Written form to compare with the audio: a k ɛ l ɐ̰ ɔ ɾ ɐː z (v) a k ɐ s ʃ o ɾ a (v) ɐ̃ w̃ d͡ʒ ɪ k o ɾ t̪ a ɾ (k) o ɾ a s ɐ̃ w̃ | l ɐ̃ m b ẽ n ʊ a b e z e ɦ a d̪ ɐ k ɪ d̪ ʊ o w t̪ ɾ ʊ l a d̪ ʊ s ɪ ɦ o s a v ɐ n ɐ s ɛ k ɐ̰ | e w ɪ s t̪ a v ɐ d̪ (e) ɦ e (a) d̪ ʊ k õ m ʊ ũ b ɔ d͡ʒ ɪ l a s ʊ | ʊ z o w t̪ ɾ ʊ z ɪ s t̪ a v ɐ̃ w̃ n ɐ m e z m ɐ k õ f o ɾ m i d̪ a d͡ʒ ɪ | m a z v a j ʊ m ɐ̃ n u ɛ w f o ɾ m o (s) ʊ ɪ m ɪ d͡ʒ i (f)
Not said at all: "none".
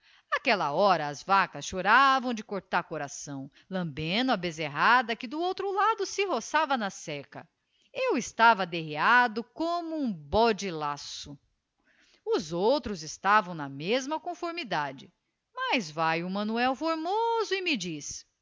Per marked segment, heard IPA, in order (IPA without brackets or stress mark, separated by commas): v, v, k, e, a, z, s